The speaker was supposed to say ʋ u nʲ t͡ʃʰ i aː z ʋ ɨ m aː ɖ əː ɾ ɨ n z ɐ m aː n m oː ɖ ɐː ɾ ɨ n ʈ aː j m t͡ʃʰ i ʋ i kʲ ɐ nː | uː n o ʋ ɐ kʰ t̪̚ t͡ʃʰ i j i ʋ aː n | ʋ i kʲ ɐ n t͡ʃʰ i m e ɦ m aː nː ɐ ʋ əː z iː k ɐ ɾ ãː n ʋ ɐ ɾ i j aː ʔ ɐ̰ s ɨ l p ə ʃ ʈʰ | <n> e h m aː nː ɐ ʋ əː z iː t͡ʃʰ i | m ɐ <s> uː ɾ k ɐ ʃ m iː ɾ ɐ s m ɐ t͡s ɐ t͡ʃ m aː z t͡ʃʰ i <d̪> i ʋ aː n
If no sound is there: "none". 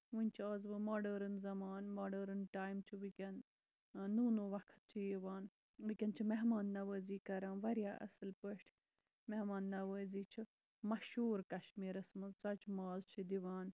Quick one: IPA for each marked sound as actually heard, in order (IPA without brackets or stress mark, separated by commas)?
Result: m, ʃ, d̪